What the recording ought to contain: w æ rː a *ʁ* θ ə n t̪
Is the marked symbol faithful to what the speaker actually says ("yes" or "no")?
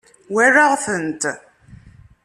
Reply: yes